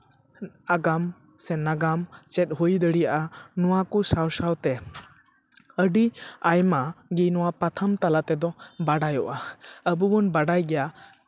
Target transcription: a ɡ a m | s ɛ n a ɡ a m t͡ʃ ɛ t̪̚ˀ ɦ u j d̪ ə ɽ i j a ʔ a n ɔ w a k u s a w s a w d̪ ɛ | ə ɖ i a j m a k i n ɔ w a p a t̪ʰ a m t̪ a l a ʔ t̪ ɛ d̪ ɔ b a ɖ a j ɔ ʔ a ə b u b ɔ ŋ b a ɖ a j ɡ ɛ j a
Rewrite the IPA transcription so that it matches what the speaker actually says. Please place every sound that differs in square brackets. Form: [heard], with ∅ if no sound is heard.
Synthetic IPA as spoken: a ɡ a m | s ɛ n a ɡ a m t͡ʃ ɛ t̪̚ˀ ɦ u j d̪ ə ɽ i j a ʔ a n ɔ w a k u s a w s a w [t̪] ɛ | ə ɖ i a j m a [ɡ] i n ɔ w a p a t̪ʰ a m t̪ a l a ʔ t̪ ɛ d̪ ɔ b a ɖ a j ɔ ʔ a ə b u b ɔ [n] b a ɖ a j ɡ ɛ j a